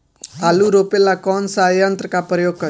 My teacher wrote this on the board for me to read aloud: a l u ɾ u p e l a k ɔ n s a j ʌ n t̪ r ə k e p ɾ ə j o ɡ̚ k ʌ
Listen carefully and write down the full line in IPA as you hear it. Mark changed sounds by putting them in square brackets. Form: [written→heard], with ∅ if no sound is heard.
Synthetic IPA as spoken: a l u ɾ [u→o] p e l a k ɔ n s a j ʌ n t̪ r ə k [e→a] p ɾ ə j o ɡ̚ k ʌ